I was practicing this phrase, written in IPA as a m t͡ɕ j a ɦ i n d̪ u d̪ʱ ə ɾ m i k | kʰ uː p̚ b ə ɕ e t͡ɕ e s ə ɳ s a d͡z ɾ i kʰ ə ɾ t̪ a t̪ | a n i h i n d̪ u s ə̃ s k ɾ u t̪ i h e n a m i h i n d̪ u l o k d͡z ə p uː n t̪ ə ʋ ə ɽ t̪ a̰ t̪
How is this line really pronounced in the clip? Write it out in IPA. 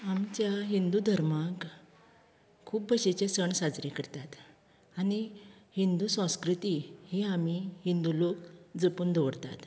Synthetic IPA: a m t͡ɕ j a ɦ i n d̪ u d̪ʱ ə ɾ m a k | kʰ uː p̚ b ə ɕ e t͡ɕ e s ə ɳ s a d͡z ɾ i k ə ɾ t̪ a t̪ | a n i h i n d̪ u s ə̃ s k ɾ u t̪ i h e a m i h i n d̪ u l o k d͡z ə p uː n d̪ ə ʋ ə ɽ t̪ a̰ t̪